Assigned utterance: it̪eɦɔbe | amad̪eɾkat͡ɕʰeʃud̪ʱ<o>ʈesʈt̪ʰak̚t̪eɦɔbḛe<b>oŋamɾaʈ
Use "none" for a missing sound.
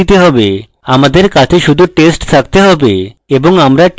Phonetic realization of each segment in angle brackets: u, b

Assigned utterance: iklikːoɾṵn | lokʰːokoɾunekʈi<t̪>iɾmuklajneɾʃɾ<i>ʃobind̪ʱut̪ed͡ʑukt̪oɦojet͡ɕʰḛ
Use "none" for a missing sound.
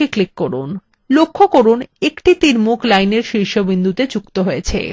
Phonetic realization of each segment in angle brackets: t̪, i

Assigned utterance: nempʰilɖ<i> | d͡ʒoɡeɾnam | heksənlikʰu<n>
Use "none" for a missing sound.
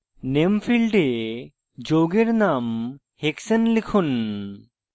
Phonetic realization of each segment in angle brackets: e, n

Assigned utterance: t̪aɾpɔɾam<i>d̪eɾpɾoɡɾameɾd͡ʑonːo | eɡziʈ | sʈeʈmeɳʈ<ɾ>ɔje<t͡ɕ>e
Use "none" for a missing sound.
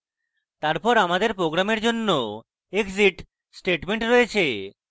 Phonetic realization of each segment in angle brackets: a, ɾ, t͡ɕʰ

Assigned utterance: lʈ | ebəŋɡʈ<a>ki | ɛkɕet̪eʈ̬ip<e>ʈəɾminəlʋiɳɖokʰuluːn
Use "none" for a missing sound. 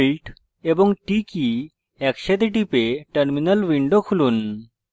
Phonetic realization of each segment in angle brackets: i, e

